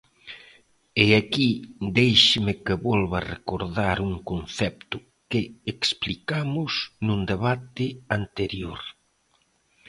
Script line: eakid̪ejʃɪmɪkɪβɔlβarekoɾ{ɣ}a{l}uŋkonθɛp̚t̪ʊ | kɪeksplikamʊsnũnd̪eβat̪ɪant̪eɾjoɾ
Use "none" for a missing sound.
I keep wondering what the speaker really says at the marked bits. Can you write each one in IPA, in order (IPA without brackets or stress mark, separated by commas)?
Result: ð, ɾ